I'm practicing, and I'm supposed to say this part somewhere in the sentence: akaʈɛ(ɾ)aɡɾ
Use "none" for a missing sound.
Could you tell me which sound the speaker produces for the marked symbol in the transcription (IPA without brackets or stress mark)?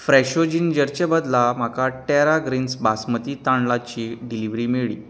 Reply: ɾ